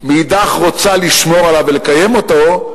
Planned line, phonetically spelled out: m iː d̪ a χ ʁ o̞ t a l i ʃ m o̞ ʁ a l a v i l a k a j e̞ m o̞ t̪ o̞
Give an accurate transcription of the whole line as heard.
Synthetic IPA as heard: m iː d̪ a χ ʁ o̞ t͡s a l i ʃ m o̞ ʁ a l a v e l e k a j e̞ m o̞ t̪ o̞